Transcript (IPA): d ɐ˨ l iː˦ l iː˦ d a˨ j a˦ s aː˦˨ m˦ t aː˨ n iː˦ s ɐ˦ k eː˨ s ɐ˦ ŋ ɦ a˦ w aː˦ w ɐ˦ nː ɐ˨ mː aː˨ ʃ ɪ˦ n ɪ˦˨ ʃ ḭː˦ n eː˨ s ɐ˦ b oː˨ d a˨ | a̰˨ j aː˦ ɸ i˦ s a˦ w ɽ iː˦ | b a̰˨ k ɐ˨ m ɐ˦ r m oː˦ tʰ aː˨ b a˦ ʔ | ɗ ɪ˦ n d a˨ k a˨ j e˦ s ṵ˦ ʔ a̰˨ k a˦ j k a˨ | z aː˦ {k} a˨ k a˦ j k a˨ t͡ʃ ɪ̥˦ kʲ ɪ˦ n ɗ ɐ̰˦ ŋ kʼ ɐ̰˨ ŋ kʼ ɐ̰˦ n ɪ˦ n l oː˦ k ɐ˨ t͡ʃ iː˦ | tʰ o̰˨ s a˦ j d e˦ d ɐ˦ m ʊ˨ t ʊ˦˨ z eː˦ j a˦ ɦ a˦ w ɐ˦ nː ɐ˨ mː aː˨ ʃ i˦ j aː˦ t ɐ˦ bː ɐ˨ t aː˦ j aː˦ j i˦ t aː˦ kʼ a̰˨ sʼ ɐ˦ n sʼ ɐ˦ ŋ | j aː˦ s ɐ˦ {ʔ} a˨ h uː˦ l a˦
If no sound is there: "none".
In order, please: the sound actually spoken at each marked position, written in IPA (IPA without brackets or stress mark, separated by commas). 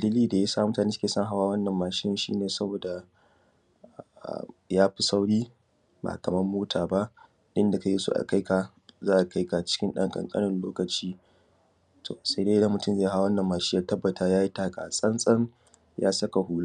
ʔ, k